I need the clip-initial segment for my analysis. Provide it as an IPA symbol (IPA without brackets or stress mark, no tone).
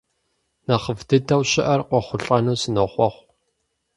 n